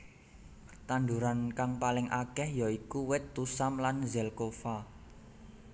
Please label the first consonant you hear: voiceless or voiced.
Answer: voiceless